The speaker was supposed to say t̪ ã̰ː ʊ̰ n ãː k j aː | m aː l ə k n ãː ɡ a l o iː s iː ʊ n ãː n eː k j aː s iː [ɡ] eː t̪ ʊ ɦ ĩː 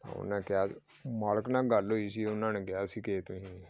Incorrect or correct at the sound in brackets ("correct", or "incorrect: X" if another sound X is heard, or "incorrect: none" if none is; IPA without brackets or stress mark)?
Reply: incorrect: k